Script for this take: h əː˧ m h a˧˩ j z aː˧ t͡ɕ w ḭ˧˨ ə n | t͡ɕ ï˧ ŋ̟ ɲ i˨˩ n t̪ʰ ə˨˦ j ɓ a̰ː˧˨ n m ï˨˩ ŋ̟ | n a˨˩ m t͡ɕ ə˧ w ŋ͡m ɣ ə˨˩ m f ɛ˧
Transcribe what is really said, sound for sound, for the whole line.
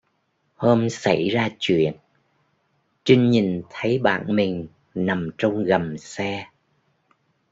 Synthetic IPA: h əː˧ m s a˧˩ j z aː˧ t͡ɕ w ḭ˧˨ ə n | t͡ɕ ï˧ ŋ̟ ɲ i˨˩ n t̪ʰ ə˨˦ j ɓ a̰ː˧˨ n m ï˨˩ ŋ̟ | n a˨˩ m t͡ɕ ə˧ w ŋ͡m ɣ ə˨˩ m s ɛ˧